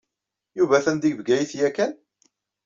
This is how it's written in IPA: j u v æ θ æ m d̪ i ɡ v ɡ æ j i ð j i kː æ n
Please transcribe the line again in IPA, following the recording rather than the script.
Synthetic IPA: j u v æ θ æ n d̪ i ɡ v ɡ æ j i θ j æ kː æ n